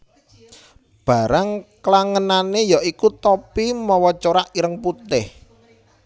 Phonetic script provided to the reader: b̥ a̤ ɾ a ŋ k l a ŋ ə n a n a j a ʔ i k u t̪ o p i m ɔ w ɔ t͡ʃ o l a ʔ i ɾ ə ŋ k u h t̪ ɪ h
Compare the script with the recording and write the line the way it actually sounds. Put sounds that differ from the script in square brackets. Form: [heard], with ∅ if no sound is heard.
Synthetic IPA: b̥ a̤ ɾ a ŋ k l a ŋ ə n a n [e] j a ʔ i k u t̪ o p i m ɔ w ɔ t͡ʃ o [ɾ] a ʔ i ɾ ə ŋ [p] u [∅] t̪ ɪ h